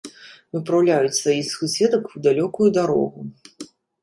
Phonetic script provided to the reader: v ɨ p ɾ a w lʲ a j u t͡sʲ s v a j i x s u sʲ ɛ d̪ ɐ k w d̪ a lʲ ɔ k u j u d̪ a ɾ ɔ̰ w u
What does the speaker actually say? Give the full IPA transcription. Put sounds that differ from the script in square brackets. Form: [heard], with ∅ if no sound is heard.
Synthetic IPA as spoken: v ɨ p ɾ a w lʲ a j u t͡sʲ s v a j i x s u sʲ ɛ d̪ ɐ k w d̪ a lʲ ɔ k u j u d̪ a ɾ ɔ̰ [ɣ] u